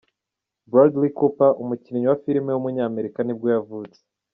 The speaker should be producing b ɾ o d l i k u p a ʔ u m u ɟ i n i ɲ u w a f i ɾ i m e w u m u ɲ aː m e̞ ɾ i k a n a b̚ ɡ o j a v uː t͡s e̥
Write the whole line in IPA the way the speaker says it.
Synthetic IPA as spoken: b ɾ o d l i k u p a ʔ u m u c i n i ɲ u w a f i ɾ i m e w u m u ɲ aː m e̞ ɾ i k a n i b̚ ɡ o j a v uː t͡s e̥